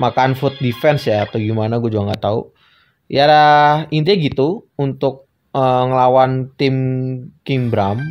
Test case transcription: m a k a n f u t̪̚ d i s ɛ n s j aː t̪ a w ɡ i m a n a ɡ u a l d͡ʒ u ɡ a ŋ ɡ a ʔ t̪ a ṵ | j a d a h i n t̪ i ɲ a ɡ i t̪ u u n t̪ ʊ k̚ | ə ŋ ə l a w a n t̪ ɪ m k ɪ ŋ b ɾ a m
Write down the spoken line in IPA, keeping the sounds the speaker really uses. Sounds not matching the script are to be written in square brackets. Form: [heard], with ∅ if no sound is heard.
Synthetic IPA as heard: m a k a n f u t̪̚ d i [f] ɛ n s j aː t̪ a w ɡ i m a n a ɡ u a [∅] d͡ʒ u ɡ a ŋ ɡ a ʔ t̪ a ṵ | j a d a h i n t̪ i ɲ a ɡ i t̪ u u n t̪ ʊ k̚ | ə ŋ ə l a w a n t̪ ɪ m k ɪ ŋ b ɾ a m